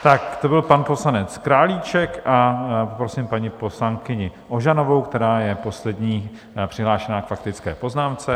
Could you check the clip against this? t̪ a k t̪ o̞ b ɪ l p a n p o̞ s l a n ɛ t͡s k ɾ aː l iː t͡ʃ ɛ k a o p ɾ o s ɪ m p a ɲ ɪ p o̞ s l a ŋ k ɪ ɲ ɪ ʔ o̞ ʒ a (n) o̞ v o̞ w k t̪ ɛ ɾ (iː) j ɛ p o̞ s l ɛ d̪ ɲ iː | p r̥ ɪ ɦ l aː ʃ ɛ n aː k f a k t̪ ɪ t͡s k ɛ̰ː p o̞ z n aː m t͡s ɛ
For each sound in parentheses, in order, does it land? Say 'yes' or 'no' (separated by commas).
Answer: yes, no